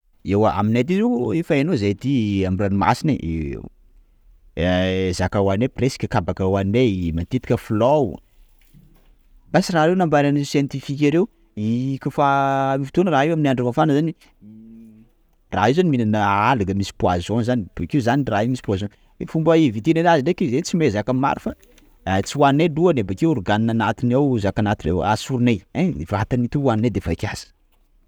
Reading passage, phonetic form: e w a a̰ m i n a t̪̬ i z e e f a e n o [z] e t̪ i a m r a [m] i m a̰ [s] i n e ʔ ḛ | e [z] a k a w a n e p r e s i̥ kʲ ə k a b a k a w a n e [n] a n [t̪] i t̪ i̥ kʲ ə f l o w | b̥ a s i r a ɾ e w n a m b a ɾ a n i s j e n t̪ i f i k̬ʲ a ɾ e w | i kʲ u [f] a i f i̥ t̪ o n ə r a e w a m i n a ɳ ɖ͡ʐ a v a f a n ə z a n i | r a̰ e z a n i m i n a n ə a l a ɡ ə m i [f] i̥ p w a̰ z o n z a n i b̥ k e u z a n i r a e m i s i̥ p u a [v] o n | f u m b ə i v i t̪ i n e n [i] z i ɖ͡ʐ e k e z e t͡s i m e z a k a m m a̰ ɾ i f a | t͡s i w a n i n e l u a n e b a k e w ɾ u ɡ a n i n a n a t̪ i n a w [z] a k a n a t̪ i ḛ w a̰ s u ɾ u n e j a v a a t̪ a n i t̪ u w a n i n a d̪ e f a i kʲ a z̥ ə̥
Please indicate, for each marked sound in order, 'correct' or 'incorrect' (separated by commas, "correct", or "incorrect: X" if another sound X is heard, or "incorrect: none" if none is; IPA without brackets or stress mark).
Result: correct, incorrect: n, correct, correct, incorrect: m, correct, correct, incorrect: s, incorrect: z, incorrect: a, correct